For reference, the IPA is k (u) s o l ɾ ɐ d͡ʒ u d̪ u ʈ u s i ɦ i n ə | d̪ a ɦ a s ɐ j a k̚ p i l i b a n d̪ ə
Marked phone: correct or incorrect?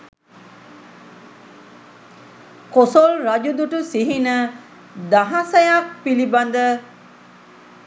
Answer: incorrect